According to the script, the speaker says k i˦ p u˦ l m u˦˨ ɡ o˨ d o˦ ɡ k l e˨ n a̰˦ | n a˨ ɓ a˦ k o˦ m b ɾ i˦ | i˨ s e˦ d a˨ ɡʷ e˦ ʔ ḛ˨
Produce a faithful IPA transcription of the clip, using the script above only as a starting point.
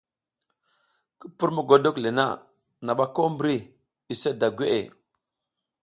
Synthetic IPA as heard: k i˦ p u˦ ɾ m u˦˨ ɡ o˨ d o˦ k l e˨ n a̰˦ | n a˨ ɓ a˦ k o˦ m b ɾ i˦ | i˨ s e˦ d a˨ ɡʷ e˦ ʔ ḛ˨